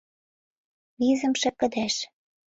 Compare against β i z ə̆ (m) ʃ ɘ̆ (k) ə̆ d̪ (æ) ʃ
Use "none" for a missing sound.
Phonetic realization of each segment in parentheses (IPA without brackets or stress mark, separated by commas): m, k, æ